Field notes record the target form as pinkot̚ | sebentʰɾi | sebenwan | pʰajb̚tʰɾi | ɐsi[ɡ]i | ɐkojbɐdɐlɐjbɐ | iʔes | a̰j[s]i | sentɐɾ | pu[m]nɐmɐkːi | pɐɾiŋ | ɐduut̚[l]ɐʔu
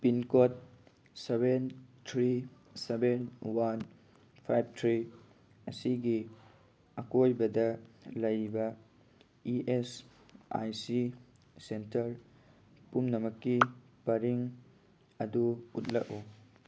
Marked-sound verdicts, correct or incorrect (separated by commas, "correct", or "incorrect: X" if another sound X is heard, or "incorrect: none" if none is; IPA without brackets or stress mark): correct, correct, correct, correct